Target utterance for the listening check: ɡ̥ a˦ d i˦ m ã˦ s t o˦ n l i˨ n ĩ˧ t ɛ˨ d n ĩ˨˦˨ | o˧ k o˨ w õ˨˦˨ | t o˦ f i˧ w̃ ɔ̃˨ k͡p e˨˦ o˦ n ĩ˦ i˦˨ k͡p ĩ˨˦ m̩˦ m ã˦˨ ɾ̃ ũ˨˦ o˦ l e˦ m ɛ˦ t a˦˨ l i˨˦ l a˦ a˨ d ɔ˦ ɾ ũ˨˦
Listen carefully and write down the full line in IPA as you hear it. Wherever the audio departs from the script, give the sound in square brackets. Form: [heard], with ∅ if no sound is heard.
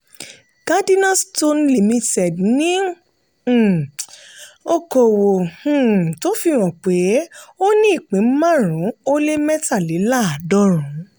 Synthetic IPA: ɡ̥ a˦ d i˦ [n] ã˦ s t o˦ n l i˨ [m] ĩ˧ t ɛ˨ d n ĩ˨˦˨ | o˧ k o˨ w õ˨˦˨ | t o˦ f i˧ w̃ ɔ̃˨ k͡p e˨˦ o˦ n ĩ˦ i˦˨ k͡p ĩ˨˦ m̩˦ m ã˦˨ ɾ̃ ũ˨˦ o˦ l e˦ m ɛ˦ t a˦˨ l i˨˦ l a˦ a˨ d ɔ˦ ɾ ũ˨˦